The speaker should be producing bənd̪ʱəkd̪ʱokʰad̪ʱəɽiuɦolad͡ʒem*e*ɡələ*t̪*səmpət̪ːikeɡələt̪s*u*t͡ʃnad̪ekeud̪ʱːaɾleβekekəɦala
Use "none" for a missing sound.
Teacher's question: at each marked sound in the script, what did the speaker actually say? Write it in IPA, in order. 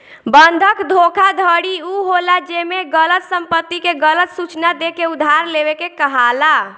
e, t̪, u

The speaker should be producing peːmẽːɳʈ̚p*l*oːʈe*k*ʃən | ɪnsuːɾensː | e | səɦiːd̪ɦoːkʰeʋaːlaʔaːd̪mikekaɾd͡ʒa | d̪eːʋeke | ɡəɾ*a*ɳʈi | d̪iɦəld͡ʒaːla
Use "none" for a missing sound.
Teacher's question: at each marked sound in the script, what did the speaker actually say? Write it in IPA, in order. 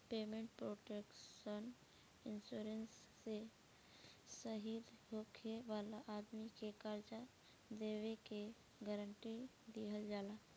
ɾ, k, ə

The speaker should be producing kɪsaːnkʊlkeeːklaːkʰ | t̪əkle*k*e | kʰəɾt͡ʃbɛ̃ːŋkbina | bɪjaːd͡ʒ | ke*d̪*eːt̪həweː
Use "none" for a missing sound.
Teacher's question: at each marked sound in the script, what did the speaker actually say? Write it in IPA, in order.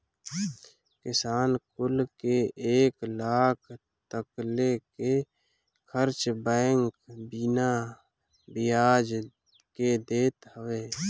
k, d̪

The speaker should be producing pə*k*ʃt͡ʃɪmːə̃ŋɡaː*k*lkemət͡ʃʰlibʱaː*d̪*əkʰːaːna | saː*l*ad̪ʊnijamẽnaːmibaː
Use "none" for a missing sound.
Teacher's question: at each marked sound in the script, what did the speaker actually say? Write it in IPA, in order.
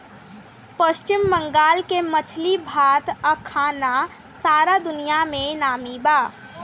none, none, t̪, ɾ

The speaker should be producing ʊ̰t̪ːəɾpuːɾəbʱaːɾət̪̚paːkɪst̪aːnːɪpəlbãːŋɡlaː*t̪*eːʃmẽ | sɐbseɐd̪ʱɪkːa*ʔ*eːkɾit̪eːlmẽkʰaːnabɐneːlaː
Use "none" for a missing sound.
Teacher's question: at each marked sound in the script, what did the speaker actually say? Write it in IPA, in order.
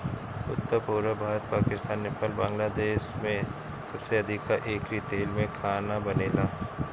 d̪, ʔ

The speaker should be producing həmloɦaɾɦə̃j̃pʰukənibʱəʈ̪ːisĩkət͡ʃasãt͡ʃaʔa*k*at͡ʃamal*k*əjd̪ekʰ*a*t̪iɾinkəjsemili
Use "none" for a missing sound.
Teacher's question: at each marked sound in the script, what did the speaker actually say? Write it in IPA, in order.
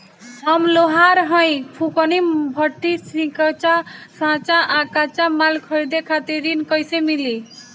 k, kʰ, a

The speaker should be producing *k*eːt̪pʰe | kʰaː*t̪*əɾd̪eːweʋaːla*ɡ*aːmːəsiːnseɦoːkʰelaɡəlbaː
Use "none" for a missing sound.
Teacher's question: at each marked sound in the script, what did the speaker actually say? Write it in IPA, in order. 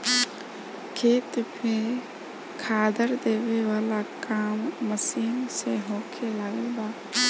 kʰ, d̪, k

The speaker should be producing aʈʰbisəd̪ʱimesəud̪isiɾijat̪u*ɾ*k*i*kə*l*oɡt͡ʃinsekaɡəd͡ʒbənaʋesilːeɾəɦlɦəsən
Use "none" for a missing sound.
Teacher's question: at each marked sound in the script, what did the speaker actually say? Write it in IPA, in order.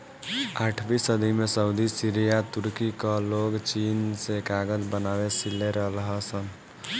ɾ, i, l

